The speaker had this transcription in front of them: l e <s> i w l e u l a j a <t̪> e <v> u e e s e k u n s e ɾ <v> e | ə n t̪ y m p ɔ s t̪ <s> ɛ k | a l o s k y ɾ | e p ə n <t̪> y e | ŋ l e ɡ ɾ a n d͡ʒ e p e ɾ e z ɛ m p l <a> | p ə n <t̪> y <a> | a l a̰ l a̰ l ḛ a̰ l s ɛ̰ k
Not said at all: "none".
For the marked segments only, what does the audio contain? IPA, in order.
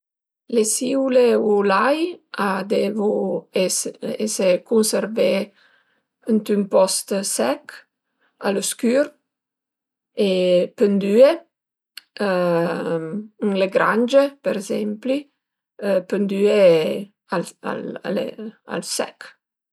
s, d̪, v, v, s, d̪, i, d̪, e

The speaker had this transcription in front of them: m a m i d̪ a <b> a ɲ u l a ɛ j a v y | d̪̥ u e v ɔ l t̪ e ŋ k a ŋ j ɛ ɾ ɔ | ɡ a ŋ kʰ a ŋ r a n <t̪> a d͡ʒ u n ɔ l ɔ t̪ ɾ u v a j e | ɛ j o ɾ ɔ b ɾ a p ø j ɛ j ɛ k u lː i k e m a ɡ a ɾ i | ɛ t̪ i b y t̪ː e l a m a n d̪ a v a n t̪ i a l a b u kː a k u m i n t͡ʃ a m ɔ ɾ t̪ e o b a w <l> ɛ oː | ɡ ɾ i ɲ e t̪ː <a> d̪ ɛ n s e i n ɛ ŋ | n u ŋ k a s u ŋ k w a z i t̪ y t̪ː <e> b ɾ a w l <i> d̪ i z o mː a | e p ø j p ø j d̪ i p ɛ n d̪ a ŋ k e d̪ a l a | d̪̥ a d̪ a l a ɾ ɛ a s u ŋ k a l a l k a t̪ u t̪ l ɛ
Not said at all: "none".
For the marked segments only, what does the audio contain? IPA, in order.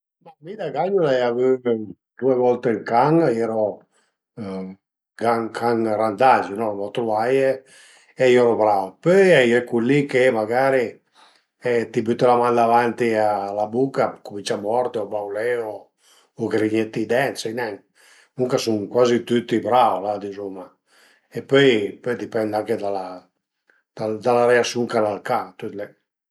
ɡ, d̪, l, i, i, a

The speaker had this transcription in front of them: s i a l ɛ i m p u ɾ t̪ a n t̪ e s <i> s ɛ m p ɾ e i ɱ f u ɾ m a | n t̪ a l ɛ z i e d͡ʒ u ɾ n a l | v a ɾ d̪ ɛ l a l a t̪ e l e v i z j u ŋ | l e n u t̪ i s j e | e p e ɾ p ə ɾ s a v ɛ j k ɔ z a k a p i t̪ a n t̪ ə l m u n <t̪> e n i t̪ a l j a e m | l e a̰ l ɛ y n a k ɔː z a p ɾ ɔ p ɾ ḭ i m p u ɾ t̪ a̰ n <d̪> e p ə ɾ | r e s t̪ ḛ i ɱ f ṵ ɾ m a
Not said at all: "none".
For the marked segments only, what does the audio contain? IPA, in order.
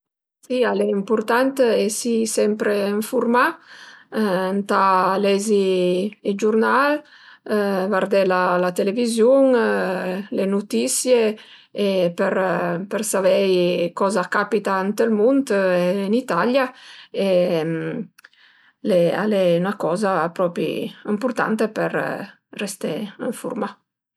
i, t̪, t̪

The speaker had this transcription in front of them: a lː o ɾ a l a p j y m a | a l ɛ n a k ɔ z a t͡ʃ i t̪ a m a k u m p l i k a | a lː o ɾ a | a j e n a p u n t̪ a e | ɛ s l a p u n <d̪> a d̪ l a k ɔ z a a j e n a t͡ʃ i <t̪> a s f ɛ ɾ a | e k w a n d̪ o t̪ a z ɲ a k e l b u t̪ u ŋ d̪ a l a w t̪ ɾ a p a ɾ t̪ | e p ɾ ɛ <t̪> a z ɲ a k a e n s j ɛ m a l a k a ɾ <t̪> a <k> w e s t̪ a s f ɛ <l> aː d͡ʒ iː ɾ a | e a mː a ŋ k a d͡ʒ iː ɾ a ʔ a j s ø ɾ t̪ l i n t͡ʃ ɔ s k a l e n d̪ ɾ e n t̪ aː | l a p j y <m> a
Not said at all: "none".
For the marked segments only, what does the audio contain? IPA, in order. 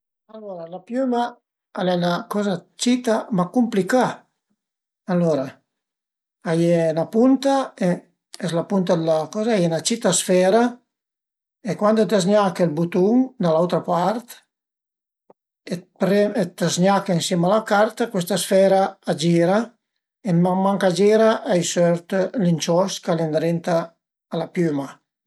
t̪, t̪, t̪, t̪, k, ɾ, m

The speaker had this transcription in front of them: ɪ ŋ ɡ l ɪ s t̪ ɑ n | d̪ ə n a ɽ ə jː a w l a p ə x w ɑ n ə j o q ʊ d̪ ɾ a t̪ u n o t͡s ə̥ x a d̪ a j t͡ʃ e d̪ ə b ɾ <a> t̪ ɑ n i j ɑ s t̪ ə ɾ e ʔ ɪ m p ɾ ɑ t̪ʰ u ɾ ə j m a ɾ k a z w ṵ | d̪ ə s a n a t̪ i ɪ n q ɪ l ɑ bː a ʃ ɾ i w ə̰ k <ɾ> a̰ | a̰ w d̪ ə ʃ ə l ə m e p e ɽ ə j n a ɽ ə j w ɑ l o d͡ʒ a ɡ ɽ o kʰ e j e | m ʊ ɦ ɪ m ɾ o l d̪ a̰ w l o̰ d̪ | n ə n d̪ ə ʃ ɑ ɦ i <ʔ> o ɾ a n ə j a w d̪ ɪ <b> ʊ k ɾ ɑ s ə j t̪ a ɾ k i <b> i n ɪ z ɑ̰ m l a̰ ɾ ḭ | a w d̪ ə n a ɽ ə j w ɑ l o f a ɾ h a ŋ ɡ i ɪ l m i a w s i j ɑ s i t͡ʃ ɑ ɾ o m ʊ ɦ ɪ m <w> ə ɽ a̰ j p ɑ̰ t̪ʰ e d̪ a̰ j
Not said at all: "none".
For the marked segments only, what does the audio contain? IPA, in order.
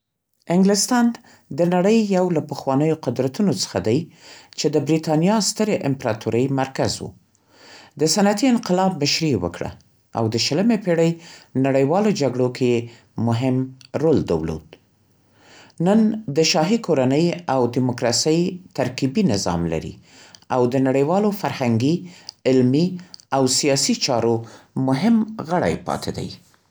i, ɽ, k, m, b, ɣ

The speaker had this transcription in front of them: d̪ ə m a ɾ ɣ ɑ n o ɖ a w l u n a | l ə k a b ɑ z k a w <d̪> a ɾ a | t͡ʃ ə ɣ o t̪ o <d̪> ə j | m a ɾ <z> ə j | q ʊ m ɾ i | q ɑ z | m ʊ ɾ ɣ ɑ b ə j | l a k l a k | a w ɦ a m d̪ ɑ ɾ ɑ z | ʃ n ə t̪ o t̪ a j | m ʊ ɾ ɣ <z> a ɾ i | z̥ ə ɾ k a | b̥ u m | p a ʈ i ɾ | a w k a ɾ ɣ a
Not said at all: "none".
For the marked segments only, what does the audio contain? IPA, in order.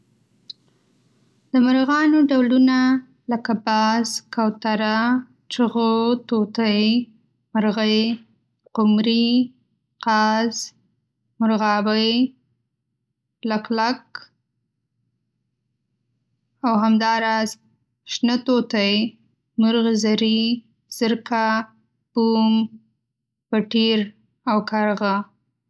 t̪, t̪, ɣ, z

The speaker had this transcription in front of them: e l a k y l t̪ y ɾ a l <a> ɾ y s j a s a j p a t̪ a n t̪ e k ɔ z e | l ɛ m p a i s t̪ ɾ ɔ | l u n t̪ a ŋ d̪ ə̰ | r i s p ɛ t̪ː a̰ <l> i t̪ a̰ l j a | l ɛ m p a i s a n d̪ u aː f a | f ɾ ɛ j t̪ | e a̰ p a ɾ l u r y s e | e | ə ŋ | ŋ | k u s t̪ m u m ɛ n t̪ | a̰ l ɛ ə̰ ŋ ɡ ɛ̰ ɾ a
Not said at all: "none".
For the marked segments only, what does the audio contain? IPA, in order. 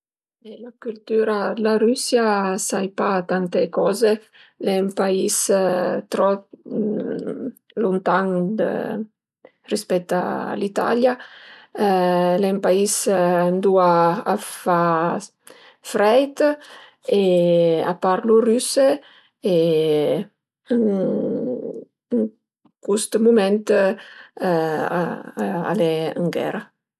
a, l

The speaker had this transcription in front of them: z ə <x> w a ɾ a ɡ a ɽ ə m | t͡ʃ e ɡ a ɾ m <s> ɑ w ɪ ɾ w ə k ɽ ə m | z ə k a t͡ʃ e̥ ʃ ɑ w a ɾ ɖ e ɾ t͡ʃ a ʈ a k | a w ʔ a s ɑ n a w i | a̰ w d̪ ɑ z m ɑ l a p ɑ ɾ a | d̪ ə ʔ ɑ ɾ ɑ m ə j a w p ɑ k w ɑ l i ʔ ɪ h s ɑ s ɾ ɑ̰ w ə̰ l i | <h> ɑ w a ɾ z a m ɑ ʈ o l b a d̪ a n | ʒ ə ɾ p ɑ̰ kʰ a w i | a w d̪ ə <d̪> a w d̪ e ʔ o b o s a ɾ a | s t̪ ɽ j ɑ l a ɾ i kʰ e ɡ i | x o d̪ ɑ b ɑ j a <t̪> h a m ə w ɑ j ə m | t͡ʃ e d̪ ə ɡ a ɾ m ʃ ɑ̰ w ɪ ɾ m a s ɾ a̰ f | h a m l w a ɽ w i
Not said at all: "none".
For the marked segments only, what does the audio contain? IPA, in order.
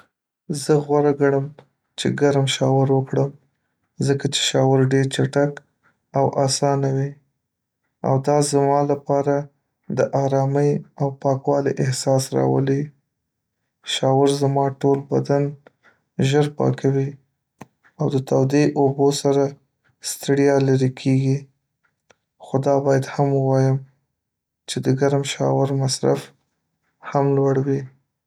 ɣ, ʃ, ʃ, t̪, d̪

